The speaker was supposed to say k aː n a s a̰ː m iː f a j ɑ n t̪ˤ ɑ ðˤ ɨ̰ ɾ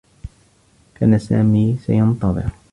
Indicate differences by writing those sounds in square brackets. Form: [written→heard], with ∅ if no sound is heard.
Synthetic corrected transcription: k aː n a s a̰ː m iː [f→s] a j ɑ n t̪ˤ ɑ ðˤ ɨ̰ ɾ

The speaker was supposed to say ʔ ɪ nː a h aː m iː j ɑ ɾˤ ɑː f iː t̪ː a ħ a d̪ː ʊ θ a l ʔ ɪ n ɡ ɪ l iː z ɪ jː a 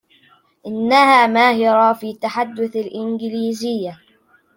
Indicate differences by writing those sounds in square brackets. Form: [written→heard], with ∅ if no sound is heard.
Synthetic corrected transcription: ʔ ɪ nː a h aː m [iː→aː] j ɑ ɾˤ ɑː f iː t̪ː a ħ a d̪ː ʊ θ a l ʔ ɪ n ɡ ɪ l iː z ɪ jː a

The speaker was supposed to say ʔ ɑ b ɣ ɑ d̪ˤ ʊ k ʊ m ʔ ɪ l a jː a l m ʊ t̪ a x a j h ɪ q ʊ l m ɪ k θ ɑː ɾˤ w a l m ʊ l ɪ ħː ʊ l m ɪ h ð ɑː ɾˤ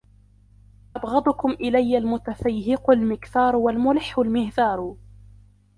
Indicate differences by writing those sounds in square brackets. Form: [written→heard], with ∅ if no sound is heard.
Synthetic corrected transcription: ʔ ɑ b ɣ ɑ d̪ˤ ʊ k ʊ m ʔ ɪ l a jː a l m ʊ t̪ a [x→f] a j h ɪ q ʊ l m ɪ k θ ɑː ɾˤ w a l m ʊ l ɪ ħː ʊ l m ɪ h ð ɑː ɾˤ

